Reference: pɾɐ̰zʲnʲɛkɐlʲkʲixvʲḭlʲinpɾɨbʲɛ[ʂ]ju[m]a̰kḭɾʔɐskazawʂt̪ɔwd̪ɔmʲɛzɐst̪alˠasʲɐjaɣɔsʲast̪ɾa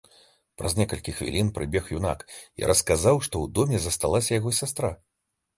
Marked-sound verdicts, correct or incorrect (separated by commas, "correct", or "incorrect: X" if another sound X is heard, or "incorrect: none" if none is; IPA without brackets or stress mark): incorrect: x, incorrect: n